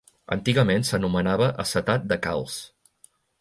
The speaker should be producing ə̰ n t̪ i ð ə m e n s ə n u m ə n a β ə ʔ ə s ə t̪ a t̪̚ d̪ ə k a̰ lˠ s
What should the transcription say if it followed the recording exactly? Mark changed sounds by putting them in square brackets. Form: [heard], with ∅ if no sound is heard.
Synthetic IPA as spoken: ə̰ n t̪ i [ɣ] ə m e n s ə n u m ə n a β ə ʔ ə s ə t̪ a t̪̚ d̪ ə k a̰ lˠ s